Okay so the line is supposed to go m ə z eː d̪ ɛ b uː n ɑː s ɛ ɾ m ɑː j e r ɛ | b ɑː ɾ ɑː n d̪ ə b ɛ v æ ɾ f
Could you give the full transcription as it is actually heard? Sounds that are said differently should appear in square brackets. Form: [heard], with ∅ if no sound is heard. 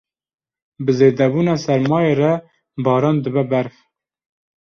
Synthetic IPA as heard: [b] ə z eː d̪ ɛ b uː n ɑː s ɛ ɾ m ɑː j e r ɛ | b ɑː ɾ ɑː n d̪ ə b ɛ [b] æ ɾ f